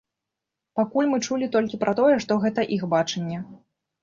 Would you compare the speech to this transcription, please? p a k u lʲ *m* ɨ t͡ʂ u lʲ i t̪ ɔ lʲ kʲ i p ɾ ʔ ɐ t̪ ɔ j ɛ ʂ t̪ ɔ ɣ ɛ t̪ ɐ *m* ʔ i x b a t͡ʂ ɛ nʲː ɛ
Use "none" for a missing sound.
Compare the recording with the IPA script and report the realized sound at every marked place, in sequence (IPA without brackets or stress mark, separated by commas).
m, none